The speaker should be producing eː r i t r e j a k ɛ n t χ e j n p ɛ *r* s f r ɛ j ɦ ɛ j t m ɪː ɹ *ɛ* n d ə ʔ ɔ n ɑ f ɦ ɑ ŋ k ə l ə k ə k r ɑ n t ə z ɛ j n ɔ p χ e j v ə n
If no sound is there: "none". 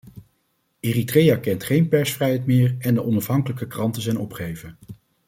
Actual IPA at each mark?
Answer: ɹ, ɛ

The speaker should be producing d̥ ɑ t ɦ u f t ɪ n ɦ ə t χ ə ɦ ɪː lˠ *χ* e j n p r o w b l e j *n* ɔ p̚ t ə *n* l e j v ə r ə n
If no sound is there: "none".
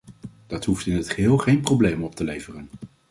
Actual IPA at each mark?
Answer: χ, m, none

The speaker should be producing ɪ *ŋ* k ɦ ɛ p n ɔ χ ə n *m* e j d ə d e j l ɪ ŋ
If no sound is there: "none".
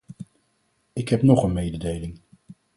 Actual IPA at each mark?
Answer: none, m

